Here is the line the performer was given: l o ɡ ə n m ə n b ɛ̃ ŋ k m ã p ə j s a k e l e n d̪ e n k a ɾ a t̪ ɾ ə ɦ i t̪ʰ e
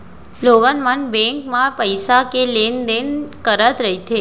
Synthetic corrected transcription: l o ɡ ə n m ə n b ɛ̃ ŋ k m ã p ə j s a k e l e n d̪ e n k ə ɾ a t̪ ɾ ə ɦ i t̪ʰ e